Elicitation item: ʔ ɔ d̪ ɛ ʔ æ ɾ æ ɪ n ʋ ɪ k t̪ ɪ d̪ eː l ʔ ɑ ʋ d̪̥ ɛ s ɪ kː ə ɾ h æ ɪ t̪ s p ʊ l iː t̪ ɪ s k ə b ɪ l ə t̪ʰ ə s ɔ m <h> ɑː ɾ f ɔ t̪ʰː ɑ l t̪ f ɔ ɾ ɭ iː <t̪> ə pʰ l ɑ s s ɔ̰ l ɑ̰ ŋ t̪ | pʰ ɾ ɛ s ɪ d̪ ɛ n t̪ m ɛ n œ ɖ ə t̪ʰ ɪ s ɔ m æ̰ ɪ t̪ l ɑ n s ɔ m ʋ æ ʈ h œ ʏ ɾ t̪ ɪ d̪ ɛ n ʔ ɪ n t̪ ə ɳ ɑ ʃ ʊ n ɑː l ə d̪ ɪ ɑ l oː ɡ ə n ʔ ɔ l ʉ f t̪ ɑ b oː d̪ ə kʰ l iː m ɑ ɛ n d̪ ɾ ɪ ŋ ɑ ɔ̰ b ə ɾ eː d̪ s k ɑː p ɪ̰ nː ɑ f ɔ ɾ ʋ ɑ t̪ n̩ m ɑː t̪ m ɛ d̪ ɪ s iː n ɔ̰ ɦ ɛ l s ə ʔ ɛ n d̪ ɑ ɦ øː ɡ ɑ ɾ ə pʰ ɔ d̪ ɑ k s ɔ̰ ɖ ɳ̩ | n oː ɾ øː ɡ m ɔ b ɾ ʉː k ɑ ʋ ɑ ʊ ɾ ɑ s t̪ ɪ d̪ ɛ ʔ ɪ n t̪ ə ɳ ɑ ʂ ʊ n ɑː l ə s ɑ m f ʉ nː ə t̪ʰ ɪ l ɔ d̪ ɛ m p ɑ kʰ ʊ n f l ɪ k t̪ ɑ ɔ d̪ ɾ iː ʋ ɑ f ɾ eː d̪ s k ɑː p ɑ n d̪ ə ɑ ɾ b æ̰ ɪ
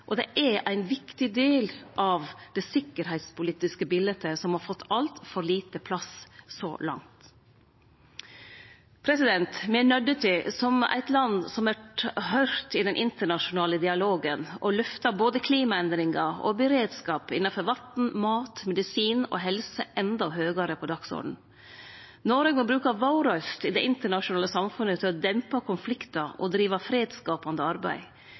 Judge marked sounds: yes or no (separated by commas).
yes, yes